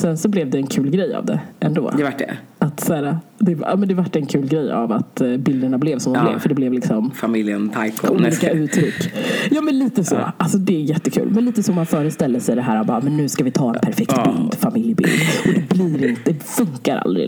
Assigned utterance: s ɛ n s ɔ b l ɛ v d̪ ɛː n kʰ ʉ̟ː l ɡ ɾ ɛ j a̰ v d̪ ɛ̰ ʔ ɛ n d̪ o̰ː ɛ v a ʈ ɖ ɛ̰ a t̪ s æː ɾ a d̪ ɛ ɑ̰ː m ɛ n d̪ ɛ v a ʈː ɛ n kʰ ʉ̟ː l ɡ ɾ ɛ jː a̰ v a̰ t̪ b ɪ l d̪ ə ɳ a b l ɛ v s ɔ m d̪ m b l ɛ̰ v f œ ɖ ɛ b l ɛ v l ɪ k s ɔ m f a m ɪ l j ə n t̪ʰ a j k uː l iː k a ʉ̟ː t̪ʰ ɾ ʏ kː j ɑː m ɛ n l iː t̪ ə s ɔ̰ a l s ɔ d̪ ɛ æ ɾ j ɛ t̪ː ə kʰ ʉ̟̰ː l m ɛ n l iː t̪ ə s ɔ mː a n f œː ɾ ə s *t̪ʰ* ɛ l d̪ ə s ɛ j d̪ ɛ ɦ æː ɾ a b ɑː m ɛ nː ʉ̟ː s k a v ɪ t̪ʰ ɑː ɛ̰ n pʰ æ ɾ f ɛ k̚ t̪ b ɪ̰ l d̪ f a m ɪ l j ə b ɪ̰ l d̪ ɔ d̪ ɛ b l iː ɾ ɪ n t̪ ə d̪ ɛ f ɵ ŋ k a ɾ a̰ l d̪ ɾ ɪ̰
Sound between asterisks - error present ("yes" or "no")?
yes